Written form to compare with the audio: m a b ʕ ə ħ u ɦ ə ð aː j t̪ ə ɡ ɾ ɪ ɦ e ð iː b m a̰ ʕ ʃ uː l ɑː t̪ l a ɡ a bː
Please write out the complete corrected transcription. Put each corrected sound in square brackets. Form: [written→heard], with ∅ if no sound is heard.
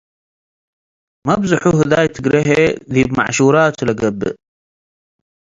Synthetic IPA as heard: m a b [ʕ→z] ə ħ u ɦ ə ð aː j t̪ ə ɡ ɾ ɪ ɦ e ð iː b m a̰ ʕ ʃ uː [l→ɾ] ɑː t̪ l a ɡ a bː